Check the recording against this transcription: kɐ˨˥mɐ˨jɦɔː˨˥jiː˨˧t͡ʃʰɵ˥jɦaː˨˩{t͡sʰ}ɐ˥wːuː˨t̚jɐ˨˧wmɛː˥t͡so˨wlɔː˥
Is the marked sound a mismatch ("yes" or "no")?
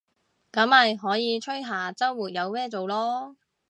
yes